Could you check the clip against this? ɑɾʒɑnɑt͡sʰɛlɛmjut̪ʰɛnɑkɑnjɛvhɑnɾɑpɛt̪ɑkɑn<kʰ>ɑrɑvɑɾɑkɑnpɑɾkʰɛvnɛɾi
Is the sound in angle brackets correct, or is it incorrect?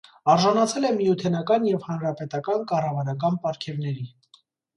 incorrect